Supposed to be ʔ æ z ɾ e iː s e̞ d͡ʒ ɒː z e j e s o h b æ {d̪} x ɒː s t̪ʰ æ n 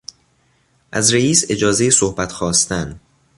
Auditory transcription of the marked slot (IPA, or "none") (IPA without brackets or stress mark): t̪